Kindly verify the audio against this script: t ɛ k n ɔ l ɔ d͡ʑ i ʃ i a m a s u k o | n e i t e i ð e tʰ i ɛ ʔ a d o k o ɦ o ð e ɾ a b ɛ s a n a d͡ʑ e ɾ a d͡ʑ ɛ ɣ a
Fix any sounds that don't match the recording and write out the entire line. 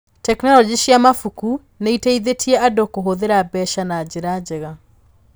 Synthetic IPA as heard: t ɛ k n ɔ l ɔ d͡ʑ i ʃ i a m a f u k u | n e i t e i ð e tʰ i ɛ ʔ a d o k o ɦ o ð e ɾ a b ɛ ʃ a n a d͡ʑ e ɾ a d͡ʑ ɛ ɣ a